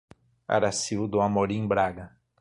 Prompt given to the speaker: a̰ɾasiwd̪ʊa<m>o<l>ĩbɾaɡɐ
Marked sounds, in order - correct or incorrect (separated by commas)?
correct, incorrect